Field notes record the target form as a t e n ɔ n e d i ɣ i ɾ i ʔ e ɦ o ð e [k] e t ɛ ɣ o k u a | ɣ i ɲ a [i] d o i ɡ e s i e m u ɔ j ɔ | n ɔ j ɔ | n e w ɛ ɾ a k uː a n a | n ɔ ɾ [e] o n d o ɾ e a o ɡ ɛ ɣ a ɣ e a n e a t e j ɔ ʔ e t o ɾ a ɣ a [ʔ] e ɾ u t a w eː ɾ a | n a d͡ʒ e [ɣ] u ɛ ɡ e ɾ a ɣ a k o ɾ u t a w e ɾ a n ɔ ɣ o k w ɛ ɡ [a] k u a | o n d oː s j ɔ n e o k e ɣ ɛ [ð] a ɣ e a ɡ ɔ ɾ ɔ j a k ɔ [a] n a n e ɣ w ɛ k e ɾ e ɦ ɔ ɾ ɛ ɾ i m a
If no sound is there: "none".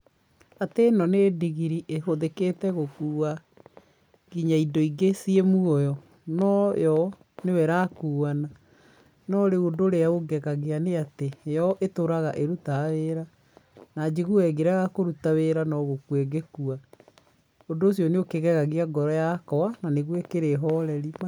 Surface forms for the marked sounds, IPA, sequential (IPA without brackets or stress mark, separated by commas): k, i, e, ʔ, ɣ, e, ɣ, a